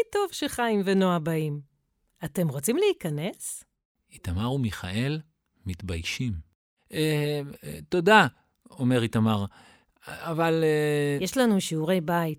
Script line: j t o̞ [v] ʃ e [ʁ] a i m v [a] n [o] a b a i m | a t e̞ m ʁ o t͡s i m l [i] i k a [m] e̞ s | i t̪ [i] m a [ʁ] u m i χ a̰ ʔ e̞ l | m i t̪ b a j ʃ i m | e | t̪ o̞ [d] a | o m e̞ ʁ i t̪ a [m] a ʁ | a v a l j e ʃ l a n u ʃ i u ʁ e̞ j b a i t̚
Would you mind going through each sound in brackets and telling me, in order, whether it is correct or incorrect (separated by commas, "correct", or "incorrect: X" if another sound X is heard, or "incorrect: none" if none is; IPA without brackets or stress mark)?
correct, incorrect: χ, incorrect: e, correct, incorrect: e, incorrect: n, incorrect: a, correct, correct, correct